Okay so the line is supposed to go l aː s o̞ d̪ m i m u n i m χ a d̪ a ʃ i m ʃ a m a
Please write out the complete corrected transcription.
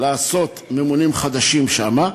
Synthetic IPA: l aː s o̞ t̪ m e m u n i m χ a d̪ a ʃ i m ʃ a m a